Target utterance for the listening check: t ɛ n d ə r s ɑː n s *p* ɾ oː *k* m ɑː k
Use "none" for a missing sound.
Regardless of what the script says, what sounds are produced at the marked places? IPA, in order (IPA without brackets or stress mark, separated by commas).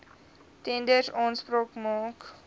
p, k